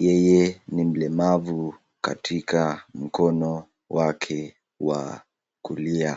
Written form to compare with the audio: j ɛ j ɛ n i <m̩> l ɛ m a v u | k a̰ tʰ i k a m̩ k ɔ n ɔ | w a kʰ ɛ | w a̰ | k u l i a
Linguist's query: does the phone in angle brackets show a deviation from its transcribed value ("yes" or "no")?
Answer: no